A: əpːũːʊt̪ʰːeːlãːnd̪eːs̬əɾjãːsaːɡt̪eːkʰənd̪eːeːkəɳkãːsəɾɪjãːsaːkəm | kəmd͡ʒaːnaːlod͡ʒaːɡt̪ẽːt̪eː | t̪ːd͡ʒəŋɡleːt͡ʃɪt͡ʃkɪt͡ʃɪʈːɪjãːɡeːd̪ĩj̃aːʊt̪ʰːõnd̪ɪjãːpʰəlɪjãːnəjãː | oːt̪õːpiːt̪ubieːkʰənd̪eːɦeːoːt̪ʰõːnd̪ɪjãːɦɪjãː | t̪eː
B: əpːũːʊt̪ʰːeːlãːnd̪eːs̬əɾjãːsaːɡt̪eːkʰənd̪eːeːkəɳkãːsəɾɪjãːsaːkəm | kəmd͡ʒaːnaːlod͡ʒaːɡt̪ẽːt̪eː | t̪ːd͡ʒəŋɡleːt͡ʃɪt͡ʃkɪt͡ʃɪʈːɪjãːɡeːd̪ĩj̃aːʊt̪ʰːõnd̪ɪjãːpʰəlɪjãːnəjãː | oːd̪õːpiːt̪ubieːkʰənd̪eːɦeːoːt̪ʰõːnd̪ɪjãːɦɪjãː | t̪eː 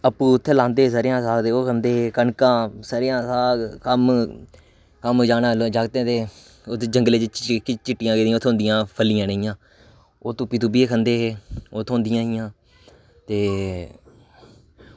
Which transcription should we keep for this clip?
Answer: A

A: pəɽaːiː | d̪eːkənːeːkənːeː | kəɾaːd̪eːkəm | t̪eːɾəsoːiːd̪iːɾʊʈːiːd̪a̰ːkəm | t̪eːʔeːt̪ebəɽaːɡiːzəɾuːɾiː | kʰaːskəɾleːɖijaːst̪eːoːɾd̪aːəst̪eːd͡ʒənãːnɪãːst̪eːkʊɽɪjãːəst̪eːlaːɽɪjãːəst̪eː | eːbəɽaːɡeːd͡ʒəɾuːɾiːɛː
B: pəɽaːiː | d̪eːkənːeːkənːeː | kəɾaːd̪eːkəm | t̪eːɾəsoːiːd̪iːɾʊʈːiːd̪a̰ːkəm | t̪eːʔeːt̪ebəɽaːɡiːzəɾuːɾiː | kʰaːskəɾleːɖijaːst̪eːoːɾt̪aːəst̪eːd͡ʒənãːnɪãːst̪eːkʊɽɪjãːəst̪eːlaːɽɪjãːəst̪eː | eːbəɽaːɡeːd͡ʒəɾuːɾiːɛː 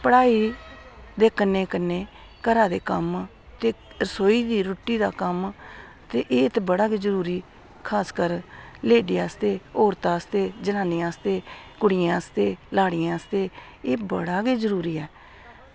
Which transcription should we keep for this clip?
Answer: B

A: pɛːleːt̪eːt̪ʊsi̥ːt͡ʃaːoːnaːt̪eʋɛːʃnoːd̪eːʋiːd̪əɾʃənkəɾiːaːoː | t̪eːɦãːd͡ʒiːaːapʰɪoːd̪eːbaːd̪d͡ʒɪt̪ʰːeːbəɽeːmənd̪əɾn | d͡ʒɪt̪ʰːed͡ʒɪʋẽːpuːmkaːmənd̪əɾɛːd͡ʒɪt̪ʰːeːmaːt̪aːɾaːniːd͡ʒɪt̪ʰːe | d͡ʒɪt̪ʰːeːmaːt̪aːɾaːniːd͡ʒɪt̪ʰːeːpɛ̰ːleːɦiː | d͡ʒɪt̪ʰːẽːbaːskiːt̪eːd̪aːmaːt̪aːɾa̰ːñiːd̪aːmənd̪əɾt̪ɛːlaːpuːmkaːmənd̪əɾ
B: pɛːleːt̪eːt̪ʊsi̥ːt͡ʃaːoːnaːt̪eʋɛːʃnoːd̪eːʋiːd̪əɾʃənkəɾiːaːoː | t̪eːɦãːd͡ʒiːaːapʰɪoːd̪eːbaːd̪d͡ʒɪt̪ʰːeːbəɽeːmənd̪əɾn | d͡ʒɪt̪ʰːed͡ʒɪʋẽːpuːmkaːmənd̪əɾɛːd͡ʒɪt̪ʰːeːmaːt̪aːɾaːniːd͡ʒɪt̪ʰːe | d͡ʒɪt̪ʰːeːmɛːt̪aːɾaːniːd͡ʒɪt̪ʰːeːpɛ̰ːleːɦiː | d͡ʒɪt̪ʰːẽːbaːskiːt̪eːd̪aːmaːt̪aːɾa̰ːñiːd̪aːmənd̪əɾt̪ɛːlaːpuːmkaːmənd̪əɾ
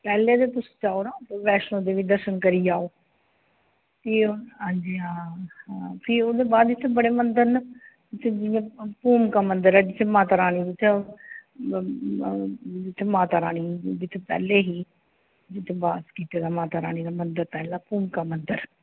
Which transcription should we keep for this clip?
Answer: A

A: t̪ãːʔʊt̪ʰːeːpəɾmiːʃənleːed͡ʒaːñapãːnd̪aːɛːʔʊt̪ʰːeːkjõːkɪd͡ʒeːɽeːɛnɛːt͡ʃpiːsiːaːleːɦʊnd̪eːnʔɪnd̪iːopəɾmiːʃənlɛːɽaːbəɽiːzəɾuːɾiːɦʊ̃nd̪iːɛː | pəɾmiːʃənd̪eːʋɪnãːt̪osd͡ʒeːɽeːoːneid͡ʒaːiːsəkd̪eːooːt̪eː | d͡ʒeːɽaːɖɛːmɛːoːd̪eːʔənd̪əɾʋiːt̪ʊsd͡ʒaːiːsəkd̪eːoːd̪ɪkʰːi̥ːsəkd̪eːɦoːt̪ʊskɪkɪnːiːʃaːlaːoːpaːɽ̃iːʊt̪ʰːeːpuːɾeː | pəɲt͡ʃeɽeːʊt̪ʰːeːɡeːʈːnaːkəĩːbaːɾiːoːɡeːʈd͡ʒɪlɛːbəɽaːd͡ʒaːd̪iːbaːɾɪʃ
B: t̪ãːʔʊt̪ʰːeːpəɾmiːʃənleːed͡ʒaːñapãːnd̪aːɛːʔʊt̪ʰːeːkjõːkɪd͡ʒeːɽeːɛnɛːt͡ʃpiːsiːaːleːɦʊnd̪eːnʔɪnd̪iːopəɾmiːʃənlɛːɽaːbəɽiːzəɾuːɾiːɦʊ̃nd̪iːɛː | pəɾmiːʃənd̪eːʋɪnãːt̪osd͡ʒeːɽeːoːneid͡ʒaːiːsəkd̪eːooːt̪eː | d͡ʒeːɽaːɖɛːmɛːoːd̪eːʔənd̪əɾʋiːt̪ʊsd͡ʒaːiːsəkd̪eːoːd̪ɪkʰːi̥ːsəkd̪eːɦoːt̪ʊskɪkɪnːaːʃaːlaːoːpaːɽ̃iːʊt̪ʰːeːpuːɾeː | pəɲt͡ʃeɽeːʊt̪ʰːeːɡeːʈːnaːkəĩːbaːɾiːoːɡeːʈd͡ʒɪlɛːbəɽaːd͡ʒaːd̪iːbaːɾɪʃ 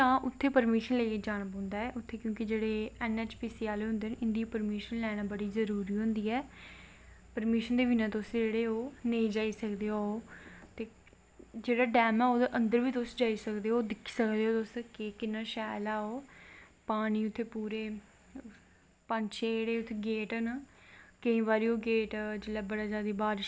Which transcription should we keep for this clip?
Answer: B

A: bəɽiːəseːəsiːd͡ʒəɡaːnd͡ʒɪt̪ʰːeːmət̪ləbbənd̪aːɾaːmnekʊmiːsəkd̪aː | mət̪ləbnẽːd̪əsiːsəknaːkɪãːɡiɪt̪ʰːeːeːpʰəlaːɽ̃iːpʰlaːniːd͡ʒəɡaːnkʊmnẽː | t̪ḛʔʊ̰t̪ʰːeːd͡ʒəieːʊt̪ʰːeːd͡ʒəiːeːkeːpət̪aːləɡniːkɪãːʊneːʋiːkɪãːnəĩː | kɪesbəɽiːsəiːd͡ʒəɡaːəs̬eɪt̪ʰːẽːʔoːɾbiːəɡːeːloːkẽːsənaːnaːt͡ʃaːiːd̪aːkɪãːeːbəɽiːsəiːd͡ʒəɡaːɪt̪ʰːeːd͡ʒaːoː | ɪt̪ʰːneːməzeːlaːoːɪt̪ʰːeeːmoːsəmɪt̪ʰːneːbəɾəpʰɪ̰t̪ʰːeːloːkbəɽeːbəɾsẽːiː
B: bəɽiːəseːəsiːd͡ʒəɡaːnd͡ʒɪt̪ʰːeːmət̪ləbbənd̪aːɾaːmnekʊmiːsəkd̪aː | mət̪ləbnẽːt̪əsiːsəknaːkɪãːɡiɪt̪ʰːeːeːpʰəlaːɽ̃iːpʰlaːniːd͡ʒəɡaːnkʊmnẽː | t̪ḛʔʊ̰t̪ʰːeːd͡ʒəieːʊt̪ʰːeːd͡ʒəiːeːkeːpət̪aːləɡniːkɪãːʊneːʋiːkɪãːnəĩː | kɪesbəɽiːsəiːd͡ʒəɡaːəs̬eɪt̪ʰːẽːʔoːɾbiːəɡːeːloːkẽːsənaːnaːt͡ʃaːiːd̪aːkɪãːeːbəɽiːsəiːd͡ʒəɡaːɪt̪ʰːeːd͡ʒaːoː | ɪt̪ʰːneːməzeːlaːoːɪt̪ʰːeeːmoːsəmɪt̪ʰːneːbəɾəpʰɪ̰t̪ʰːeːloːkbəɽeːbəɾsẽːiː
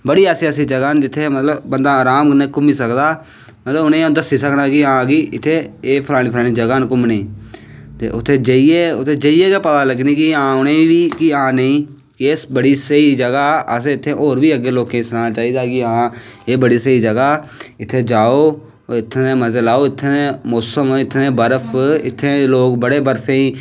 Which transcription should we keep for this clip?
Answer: A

